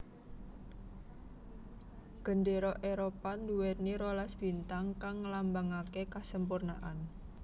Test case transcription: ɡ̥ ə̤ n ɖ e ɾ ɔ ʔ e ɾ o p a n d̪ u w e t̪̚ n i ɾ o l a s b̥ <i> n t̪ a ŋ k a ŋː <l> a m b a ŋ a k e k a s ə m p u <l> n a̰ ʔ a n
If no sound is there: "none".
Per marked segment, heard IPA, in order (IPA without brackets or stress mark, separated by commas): i, l, r